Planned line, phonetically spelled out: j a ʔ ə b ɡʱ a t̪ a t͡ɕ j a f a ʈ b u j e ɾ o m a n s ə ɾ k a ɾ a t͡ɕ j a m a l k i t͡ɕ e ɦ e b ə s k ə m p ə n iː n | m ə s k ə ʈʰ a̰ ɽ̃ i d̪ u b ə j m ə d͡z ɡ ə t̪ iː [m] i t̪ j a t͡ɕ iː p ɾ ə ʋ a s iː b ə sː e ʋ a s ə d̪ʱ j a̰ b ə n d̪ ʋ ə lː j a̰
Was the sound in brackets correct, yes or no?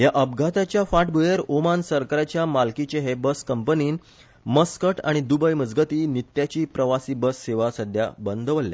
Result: no